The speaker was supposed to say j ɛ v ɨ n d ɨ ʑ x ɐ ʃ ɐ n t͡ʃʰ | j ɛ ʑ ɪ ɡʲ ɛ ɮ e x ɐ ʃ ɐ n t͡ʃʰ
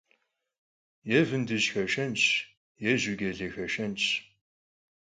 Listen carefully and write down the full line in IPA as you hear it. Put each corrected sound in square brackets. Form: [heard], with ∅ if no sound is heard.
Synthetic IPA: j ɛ v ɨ n d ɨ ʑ x ɐ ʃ ɐ n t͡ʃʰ | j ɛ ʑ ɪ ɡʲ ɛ ɮ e x ɐ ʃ ɐ n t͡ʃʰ